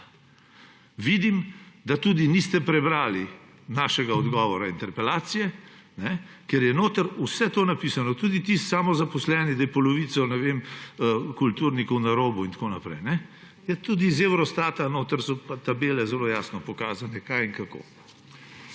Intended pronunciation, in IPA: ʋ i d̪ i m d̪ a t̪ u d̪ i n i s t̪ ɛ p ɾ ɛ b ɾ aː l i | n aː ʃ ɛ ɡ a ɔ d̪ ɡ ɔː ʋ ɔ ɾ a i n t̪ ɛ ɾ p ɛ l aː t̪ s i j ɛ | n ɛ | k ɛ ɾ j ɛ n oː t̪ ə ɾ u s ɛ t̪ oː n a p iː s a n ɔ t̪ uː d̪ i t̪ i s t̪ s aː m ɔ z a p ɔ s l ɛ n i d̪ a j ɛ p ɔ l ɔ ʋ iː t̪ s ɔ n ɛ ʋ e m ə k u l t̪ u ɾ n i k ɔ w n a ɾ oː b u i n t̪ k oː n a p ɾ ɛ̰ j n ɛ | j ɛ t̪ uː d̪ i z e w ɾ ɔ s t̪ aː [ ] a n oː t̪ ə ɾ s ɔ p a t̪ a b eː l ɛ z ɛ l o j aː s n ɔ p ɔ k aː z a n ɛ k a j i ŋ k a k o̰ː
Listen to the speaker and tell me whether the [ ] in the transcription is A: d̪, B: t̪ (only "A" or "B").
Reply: B